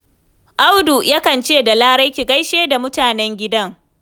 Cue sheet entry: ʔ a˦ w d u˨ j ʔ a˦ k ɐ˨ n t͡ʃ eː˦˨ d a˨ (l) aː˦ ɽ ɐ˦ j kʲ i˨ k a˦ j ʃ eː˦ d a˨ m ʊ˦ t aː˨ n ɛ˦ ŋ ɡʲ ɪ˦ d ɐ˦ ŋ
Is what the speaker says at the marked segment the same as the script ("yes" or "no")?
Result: yes